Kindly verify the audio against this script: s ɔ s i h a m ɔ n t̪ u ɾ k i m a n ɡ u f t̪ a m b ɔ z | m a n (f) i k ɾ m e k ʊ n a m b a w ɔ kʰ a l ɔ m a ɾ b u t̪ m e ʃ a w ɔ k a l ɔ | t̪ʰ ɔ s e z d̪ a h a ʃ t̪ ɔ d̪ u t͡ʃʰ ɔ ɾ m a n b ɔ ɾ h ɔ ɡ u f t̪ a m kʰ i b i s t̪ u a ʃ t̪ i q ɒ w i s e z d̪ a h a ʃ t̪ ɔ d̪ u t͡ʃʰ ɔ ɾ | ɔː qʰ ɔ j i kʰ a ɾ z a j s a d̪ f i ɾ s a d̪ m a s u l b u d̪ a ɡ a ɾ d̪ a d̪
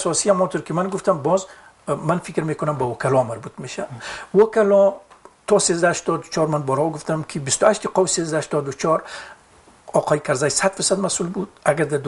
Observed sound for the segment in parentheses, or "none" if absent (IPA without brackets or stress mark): f